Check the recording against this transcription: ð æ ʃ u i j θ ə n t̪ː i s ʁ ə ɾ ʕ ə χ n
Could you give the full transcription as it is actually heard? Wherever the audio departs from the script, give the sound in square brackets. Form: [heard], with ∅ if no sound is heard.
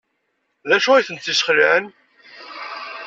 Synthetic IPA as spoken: ð æ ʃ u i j θ ə n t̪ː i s [χ] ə [l] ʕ ə [∅] n